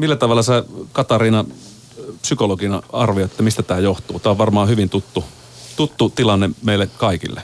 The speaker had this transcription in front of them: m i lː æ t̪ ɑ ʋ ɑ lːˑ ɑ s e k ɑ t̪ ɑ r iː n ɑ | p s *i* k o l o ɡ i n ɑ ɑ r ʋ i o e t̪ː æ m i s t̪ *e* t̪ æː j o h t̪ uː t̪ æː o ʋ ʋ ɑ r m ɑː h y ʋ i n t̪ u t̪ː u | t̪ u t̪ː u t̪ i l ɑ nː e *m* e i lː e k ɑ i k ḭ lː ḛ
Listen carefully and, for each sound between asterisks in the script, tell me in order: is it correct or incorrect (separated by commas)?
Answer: incorrect, incorrect, correct